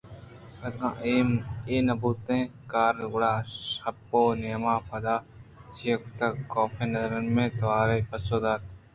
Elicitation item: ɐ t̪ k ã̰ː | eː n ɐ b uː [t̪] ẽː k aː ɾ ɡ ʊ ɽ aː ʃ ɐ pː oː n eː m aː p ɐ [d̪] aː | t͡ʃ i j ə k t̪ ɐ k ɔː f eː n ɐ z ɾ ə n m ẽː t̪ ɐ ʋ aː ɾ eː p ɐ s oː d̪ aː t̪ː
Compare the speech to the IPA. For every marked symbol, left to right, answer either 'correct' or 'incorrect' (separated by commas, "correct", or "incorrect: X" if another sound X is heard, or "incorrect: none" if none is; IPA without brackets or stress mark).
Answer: correct, correct